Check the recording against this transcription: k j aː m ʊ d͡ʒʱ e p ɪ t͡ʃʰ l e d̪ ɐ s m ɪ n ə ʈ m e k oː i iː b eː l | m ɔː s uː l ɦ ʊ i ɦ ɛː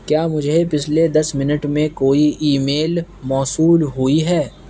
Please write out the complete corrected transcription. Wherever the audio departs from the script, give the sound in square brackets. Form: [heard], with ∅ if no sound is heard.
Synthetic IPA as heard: k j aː m ʊ d͡ʒʱ e p ɪ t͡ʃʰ l e d̪ ɐ s m ɪ n ə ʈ m [ẽ] k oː i iː [m] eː l | m ɔː s uː l ɦ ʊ i ɦ ɛː

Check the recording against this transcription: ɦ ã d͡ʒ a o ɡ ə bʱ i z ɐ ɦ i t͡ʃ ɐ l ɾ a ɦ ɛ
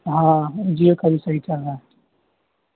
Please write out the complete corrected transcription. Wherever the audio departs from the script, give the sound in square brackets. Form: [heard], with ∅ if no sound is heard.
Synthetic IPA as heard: ɦ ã d͡ʒ [i] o [k] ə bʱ i [s] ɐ ɦ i t͡ʃ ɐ l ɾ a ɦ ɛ

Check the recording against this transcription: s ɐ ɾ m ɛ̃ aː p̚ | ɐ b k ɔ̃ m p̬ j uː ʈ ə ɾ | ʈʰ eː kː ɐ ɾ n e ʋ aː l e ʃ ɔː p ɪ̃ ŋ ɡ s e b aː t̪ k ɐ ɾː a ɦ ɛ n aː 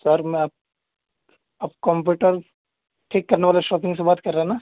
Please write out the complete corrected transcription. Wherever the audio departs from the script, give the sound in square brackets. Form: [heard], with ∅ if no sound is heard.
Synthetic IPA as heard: s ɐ ɾ m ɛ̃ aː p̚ | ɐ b k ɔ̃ m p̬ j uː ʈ ə ɾ | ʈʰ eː kː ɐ ɾ n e ʋ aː l e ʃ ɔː p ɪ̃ ŋ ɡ s e b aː t̪ k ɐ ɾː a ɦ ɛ n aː

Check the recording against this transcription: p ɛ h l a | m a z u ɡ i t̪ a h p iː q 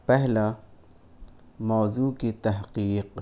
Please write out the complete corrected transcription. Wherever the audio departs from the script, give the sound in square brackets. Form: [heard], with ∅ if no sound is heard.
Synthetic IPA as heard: p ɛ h l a | m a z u [k] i t̪ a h [q] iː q

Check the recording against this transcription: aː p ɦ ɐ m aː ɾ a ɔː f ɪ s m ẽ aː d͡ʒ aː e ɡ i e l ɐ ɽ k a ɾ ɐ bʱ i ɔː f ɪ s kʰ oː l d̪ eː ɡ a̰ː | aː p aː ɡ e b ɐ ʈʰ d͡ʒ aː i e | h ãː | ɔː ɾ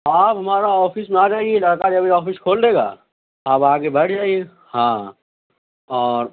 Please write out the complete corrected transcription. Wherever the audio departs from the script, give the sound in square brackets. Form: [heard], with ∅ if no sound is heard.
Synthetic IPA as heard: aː p ɦ ɐ m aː ɾ a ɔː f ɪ s m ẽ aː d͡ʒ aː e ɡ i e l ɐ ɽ k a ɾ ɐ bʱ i ɔː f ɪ s kʰ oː l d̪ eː ɡ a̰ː | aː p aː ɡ e b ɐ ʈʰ d͡ʒ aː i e | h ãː | ɔː ɾ

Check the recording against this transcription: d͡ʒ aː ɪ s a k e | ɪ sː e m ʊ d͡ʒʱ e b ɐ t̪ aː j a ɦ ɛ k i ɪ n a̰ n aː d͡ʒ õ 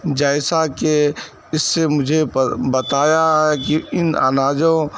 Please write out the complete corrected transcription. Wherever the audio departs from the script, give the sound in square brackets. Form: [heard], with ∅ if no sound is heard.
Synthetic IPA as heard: d͡ʒ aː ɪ s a k e | ɪ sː e m ʊ d͡ʒʱ e b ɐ t̪ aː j a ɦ ɛ k i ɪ n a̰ n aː d͡ʒ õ

